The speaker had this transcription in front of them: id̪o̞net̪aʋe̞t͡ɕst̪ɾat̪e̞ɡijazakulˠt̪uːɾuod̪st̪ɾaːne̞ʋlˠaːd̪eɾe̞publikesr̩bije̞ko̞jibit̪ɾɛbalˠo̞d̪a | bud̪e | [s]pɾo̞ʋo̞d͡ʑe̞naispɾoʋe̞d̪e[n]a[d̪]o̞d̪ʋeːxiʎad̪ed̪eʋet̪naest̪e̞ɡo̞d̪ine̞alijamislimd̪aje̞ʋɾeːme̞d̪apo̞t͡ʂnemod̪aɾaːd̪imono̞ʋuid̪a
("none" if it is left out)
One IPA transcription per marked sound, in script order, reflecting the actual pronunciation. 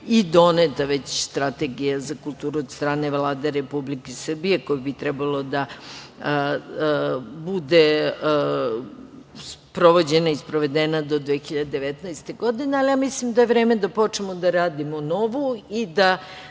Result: s, n, d̪

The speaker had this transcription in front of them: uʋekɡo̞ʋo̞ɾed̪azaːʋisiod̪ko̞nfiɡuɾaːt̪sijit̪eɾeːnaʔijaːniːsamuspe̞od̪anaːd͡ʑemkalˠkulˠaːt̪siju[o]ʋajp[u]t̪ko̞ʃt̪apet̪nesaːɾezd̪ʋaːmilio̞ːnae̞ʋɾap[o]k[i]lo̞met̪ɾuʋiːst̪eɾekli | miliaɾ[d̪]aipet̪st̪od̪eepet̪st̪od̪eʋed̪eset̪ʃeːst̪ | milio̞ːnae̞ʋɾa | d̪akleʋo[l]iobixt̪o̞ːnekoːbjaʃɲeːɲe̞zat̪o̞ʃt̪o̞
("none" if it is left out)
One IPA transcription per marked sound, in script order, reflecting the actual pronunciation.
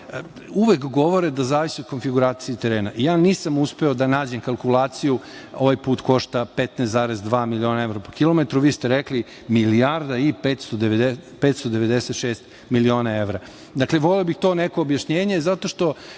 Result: o, uː, o, i, d̪, l

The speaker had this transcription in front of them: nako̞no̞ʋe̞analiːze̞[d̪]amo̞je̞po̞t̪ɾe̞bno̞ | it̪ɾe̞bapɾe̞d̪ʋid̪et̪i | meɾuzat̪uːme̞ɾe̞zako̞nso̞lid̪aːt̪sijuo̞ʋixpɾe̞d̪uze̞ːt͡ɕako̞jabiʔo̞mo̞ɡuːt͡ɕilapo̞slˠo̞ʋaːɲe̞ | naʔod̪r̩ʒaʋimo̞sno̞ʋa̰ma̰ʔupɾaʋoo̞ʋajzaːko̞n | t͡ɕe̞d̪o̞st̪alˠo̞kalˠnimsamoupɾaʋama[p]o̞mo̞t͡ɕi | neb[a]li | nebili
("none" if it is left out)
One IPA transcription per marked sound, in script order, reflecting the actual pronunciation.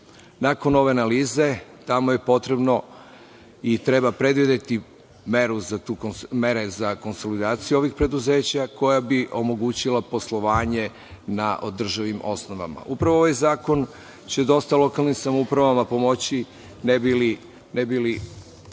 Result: t̪, p, i

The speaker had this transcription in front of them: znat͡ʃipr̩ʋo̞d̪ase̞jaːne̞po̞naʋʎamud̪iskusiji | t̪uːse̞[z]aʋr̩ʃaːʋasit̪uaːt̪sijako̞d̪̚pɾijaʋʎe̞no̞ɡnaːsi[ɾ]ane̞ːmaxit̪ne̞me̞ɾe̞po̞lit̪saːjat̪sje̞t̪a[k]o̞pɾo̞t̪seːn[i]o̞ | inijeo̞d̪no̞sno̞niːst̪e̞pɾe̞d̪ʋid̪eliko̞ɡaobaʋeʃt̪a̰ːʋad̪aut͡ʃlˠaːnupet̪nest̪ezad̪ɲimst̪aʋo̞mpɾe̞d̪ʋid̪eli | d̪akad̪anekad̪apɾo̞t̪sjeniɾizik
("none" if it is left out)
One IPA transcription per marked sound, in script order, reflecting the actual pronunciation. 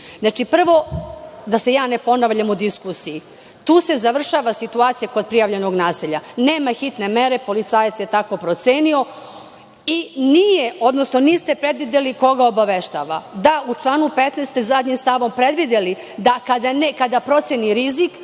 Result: z, ʎ, k, i

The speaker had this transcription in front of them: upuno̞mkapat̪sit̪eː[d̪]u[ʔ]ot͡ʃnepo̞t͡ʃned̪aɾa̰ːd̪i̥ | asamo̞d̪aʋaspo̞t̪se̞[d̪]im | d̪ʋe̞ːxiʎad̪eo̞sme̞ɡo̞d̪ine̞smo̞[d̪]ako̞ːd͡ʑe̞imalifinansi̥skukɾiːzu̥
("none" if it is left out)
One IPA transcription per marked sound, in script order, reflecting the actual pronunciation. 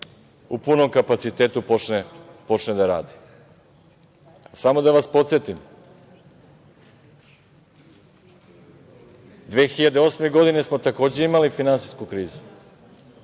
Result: t̪, p, t̪, t̪

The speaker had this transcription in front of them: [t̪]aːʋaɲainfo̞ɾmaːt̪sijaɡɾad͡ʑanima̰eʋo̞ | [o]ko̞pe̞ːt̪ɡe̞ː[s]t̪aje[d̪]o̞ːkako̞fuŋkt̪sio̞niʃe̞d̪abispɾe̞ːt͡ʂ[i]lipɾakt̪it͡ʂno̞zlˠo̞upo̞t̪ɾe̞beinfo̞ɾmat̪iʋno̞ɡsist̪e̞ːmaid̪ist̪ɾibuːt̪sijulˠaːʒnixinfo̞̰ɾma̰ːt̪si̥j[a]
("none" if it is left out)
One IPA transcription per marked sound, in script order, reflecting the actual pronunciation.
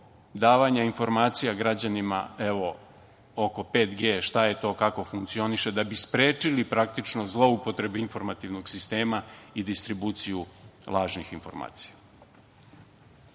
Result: d̪, o, ʃ, t̪, i, a

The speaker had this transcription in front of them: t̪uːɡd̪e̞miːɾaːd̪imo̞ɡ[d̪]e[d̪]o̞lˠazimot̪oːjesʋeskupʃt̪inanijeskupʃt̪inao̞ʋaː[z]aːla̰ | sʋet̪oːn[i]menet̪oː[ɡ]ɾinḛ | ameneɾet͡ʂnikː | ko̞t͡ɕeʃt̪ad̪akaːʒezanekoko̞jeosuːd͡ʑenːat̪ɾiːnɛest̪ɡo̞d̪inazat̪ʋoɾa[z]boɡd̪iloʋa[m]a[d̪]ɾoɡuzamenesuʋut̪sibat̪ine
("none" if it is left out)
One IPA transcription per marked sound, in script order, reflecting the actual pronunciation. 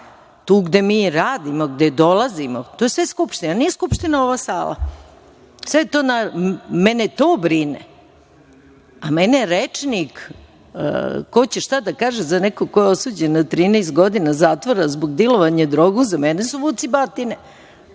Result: d̪, d̪, s, a, b, z, ɲ, d̪

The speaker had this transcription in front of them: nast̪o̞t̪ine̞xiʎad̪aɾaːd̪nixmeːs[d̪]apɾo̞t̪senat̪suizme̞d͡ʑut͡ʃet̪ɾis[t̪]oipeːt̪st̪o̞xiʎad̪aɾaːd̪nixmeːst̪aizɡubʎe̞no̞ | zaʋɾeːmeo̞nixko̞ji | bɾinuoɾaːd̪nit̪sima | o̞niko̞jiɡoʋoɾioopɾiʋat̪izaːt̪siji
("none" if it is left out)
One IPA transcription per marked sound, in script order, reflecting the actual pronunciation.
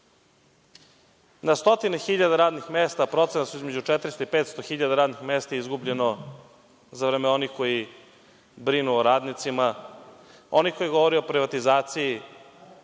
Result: t̪, t̪

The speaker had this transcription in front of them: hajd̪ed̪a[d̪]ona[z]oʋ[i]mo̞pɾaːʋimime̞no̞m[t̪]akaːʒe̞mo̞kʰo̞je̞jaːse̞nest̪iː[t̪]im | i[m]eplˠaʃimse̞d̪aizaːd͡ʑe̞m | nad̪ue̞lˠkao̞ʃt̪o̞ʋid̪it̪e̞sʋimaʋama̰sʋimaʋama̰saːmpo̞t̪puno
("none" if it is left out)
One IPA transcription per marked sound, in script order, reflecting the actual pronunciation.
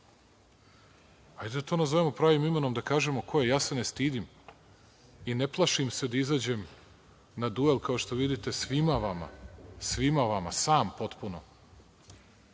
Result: t̪, z, e, d̪, d̪, n

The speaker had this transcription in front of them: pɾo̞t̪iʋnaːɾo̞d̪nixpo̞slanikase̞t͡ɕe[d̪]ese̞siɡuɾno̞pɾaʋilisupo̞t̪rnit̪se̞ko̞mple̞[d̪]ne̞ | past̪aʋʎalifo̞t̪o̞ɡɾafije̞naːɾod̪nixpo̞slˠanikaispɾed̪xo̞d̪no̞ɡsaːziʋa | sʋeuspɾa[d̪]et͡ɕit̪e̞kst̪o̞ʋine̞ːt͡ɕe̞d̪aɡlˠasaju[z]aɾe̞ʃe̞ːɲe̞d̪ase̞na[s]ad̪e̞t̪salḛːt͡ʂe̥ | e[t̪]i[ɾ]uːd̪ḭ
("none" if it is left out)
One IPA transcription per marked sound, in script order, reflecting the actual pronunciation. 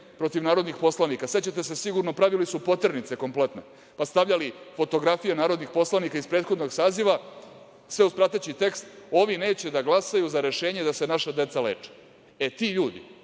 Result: t̪, t̪, t̪, z, ʃ, t̪, ʎ

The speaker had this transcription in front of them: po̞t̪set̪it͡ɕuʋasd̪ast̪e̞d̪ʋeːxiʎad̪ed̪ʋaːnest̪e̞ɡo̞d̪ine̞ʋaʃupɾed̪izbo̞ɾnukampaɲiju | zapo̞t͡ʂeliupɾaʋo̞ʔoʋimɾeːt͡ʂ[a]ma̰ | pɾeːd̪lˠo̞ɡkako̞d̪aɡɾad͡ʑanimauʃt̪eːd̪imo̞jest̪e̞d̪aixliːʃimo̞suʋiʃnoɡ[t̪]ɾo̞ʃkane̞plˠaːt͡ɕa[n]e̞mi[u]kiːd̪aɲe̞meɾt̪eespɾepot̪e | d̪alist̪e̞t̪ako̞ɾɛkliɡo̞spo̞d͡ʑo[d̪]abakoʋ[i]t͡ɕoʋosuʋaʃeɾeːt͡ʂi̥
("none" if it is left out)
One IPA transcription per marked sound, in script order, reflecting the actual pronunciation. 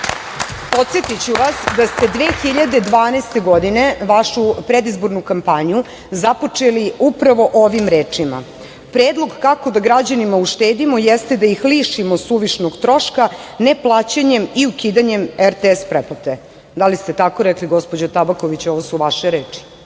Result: i, t̪, ɲ, u, t̪, i

